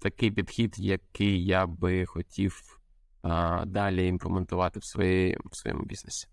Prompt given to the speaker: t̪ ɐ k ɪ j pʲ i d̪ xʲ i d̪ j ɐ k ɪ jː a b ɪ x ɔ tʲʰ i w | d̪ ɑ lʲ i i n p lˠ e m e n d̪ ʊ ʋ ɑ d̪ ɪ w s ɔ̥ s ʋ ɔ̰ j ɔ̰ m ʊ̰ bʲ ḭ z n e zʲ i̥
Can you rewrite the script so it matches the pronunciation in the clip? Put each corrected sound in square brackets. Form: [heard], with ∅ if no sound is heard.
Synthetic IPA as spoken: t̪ ɐ k ɪ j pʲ i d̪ xʲ i d̪ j ɐ k ɪ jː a b ɪ x ɔ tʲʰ i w | d̪ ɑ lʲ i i n p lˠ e m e n [t̪] ʊ ʋ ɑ [t̪] ɪ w s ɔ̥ s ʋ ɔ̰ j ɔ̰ m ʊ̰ bʲ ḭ z n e [sʲ] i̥